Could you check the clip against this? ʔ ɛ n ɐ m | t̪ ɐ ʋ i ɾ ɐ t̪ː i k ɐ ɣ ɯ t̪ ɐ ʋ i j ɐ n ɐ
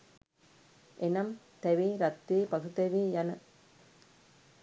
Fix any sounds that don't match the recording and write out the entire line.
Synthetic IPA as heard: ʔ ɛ n ɐ m | t̪ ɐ ʋ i ɾ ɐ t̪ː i p ɐ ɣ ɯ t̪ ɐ ʋ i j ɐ n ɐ